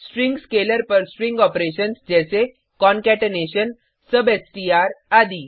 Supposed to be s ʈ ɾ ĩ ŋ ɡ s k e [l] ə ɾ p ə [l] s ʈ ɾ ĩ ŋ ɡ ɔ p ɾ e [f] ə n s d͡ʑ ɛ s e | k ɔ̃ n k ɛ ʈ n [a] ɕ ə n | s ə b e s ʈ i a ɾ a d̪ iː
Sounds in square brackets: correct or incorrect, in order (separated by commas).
correct, incorrect, incorrect, incorrect